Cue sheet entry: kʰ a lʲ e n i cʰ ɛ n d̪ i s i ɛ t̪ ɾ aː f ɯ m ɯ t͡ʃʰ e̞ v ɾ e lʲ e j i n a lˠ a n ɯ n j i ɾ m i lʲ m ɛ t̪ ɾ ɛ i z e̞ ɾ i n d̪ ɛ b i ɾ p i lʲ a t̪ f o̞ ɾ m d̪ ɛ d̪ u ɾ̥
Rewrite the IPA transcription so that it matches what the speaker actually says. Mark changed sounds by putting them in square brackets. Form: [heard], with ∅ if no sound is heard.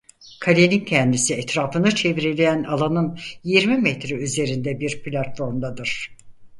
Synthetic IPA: kʰ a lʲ e n i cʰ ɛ n d̪ i s i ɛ t̪ ɾ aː f ɯ [n] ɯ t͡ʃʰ e̞ v ɾ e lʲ e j [æ] n a lˠ a n ɯ n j i ɾ m i [∅] m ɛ t̪ ɾ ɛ [y] z e̞ ɾ i n d̪ ɛ b i ɾ p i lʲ a t̪ f o̞ ɾ m d̪ [a] d̪ [ɯ] ɾ̥